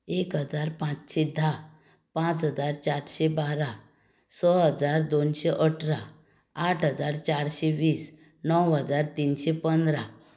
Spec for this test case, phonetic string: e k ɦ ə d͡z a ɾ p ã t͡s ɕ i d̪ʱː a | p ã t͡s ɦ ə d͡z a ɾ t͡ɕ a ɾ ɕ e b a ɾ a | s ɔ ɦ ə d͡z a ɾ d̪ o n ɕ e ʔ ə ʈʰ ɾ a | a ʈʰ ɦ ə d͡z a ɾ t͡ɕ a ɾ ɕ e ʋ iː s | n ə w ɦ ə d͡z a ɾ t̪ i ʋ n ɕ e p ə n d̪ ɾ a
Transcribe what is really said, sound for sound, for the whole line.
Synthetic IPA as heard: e k ɦ ə d͡z a ɾ p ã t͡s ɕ i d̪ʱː a | p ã t͡s ɦ ə d͡z a ɾ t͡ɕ a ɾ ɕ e b a ɾ a | s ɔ ɦ ə d͡z a ɾ d̪ o n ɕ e ʔ ə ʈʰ ɾ a | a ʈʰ ɦ ə d͡z a ɾ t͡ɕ a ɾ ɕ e ʋ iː s | n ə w ɦ ə d͡z a ɾ t̪ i n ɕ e p ə n d̪ ɾ a

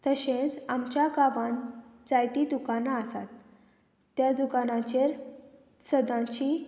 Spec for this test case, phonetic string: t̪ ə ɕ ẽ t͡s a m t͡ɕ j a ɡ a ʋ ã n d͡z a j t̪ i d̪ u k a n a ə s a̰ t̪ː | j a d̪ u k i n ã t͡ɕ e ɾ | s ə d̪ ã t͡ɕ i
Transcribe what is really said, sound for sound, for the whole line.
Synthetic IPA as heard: t̪ ə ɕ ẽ t͡s a m t͡ɕ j a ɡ a ʋ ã n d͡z a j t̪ i d̪ u k a n a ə s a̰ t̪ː | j a d̪ u k a n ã t͡ɕ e ɾ | s ə d̪ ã t͡ɕ i

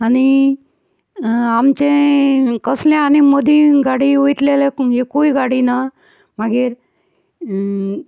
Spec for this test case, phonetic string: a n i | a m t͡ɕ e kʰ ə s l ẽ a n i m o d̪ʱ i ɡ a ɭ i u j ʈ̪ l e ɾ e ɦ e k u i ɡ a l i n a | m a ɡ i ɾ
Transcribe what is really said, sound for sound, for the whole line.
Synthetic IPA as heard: a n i | a m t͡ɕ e k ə s l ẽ a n i m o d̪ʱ i ɡ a ɽ i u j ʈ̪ l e l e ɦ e k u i ɡ a ɽ i n a | m a ɡ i ɾ

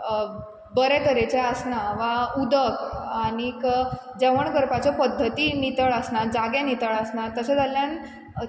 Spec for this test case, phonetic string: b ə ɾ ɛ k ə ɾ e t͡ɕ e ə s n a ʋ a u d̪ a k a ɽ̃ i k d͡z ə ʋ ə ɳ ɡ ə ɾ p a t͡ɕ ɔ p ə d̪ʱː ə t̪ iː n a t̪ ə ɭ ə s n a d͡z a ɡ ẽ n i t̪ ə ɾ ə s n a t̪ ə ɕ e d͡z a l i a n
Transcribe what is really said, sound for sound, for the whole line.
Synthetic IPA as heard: b ə ɾ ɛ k ə ɾ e t͡ɕ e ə s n a ʋ a u d̪ ə k a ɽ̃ i k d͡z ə ʋ ə ɳ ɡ ə ɾ p a t͡ɕ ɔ p ə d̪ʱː ə t̪ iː n i t̪ ə ɭ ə s n a d͡z a ɡ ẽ n i t̪ ə ɭ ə s n a t̪ ə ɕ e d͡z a l j a n

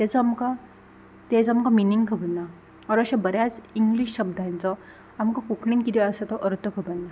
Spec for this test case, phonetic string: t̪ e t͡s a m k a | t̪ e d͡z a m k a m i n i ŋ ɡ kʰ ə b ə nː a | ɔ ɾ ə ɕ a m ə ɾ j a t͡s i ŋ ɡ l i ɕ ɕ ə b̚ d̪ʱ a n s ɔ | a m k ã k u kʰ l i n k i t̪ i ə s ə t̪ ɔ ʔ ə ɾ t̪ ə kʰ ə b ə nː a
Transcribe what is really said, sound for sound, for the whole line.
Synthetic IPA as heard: t̪ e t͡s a m k a | t̪ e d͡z a m k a m i n i ŋ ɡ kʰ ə b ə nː a | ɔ ɾ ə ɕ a b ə ɾ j a t͡s i ŋ ɡ l i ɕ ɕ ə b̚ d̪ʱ a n t͡s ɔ | a m k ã k u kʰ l i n k i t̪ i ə s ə t̪ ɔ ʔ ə ɾ t̪ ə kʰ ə b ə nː a

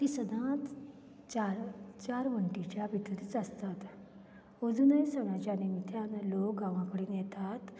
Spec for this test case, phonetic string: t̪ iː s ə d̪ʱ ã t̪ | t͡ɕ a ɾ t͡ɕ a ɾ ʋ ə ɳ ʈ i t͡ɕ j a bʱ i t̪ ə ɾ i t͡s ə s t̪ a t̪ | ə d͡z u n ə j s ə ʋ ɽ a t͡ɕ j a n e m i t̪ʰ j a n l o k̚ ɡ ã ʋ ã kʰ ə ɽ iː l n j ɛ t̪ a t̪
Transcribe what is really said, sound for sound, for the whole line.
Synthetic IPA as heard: t̪ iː s ə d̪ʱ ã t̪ | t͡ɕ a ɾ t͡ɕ a ɾ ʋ ə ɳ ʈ i t͡ɕ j a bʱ i t̪ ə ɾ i t͡s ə s t̪ a t̪ | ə d͡z u n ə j s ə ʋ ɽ a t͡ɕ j a n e m i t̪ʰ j a n l o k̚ ɡ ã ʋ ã k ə ɽ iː n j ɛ t̪ a t̪

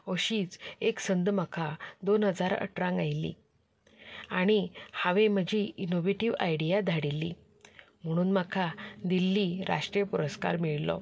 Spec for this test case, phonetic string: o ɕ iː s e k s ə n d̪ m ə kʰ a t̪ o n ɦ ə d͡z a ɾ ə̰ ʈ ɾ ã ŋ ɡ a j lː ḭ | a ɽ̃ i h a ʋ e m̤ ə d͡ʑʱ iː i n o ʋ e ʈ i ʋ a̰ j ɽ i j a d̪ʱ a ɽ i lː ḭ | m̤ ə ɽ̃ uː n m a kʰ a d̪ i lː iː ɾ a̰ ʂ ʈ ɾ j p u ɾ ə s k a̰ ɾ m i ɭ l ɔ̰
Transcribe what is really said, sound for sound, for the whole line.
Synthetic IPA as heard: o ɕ iː t͡s e k s ə n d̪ m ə kʰ a d̪ o n ɦ ə d͡z a ɾ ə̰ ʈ ɾ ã ŋ ɡ a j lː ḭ | a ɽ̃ i h a ʋ e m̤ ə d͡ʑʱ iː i n o ʋ e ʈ i ʋ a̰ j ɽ i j a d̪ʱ a ɽ i lː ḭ | m̤ ə ɽ̃ uː n m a kʰ a d̪ i lː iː ɾ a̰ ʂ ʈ ɾ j p u ɾ ə s k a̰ ɾ m i ɭ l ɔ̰

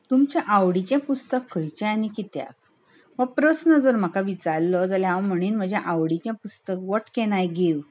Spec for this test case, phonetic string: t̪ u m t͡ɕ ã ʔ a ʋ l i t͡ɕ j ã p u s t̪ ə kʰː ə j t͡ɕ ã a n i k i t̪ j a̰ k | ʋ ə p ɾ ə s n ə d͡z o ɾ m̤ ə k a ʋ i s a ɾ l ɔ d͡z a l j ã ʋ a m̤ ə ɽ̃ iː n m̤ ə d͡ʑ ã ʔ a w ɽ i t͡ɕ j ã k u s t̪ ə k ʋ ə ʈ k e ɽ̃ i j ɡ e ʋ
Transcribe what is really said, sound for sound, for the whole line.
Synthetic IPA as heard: t̪ u m t͡ɕ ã ʔ a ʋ ɽ i t͡ɕ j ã p u s t̪ ə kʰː ə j t͡ɕ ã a n i k i t̪ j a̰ k | ʋ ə p ɾ ə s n ə d͡z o ɾ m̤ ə k a ʋ i t͡s a ɾ l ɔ d͡z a l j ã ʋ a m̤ ə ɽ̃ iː n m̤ ə d͡ʑ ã ʔ a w ɽ i t͡ɕ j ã p u s t̪ ə k ʋ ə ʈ k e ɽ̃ a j ɡ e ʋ

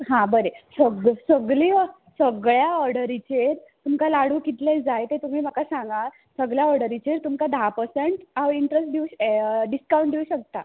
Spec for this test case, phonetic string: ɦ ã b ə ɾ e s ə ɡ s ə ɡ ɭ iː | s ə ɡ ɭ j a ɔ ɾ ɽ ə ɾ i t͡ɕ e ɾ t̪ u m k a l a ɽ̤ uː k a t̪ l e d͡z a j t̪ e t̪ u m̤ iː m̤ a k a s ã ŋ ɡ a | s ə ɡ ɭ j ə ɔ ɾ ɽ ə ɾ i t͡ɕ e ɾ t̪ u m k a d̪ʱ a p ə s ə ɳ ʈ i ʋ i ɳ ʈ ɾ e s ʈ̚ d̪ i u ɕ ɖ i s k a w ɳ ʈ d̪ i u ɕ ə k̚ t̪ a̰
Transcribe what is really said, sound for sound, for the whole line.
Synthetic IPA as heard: ɦ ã b ə ɾ e s ə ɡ s ə ɡ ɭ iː | s ə ɡ ɭ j a ɔ ɾ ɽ ə ɾ i t͡ɕ e ɾ t̪ u m k a l a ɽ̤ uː k i t̪ l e d͡z a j t̪ e t̪ u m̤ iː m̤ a k a s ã ŋ ɡ a | s ə ɡ ɭ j a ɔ ɾ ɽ ə ɾ i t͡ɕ e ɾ t̪ u m k a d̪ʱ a p ə s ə ɳ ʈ a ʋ i ɳ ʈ ɾ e s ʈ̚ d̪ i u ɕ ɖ i s k a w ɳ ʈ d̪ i u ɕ ə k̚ t̪ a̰

